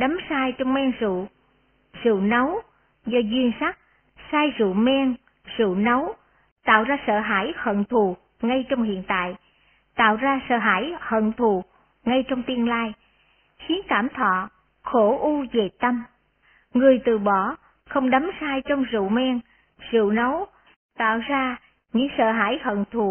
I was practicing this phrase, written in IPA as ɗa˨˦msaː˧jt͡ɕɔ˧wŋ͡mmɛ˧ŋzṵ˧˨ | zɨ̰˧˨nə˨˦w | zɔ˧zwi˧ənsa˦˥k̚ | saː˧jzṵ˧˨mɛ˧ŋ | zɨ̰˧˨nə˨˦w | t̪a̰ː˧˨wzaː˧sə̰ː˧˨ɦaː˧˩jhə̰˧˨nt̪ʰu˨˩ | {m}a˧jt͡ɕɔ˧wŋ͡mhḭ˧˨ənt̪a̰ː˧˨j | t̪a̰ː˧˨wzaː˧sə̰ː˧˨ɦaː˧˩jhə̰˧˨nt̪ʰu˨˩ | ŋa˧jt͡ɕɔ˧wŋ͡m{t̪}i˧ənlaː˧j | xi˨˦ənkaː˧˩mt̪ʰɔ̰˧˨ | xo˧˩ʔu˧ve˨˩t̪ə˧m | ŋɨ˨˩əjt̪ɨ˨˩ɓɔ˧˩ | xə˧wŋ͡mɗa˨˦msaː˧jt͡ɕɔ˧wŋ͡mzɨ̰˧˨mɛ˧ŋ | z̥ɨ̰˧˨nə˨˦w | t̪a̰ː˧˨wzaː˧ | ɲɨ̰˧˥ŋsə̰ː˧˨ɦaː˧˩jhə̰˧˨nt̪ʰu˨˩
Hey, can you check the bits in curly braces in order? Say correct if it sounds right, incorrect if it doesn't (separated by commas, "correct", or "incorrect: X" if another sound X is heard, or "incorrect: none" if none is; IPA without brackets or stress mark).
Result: incorrect: ŋ, correct